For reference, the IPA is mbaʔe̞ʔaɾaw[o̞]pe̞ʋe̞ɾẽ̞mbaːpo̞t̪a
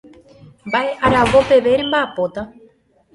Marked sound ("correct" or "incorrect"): correct